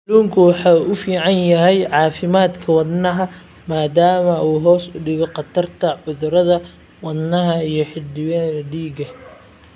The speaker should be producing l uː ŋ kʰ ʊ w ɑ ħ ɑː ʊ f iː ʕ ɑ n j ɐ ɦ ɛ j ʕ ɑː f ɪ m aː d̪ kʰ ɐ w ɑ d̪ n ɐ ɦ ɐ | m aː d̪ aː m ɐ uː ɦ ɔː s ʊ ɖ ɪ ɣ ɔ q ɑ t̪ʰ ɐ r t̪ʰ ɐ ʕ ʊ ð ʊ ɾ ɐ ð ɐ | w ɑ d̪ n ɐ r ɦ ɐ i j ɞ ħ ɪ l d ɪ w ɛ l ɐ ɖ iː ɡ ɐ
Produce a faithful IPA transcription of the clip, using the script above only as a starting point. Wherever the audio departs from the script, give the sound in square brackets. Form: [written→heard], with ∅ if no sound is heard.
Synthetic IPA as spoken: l uː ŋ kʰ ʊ w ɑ ħ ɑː ʊ f iː ʕ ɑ n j ɐ ɦ ɛ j ʕ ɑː f ɪ m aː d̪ kʰ ɐ w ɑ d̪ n ɐ ɦ ɐ | m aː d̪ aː m ɐ uː ɦ ɔː s ʊ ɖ ɪ ɣ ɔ q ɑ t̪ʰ ɐ r t̪ʰ ɐ ʕ ʊ ð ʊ ɾ ɐ ð ɐ | w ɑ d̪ n ɐ [r→∅] ɦ ɐ i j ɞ ħ ɪ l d ɪ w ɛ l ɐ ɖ iː ɡ ɐ